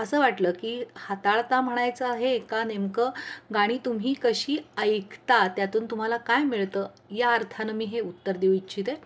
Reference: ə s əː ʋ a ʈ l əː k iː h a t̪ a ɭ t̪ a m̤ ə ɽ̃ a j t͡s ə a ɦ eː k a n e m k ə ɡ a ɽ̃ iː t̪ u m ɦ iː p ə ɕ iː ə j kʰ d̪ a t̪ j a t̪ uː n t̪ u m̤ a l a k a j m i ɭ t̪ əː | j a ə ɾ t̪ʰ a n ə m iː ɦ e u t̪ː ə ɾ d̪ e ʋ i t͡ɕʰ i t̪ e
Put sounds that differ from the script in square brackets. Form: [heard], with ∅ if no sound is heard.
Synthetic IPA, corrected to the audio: ə s əː ʋ a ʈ l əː k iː h a t̪ a ɭ t̪ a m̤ ə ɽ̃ a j t͡s ə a ɦ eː k a n e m k ə ɡ a ɽ̃ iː t̪ u m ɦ iː [k] ə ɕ iː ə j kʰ [t̪] a t̪ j a t̪ uː n t̪ u m̤ a l a k a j m i ɭ t̪ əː | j a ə ɾ t̪ʰ a n ə m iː ɦ e u t̪ː ə ɾ d̪ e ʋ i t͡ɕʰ i t̪ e